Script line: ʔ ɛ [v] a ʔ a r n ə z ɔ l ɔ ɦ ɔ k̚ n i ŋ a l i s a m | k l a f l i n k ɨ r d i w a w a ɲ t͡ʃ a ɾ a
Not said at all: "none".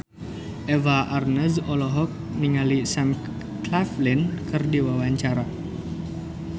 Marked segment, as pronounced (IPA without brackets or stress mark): v